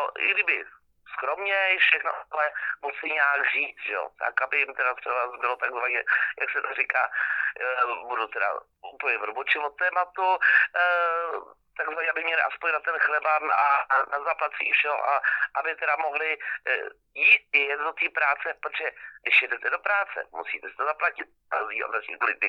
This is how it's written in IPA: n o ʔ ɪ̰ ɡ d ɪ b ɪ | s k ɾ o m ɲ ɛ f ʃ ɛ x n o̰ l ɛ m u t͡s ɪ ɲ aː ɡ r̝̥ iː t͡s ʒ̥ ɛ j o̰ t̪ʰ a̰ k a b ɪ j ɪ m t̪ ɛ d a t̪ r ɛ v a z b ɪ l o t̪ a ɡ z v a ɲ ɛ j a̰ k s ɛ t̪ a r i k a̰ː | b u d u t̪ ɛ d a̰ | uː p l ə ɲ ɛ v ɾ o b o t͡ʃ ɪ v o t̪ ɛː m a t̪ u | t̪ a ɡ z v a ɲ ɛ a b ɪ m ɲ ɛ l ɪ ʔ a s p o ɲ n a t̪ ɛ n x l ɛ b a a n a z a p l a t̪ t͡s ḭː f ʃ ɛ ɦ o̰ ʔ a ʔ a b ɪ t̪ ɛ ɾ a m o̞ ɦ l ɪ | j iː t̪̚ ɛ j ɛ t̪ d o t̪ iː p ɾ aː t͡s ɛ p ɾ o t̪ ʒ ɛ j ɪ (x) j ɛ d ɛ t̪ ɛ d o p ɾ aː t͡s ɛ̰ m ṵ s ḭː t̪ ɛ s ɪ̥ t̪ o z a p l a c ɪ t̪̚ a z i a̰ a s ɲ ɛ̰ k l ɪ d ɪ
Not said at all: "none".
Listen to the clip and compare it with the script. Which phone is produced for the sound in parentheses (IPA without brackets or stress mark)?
ʃ